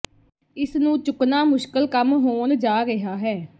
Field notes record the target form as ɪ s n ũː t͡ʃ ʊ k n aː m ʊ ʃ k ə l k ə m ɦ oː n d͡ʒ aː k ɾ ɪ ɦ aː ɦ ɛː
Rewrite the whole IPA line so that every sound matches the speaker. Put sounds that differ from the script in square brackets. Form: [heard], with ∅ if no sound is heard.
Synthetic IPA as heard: ɪ s n ũː t͡ʃ ʊ k n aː m ʊ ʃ k ə l k ə m ɦ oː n d͡ʒ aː [∅] ɾ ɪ ɦ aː ɦ ɛː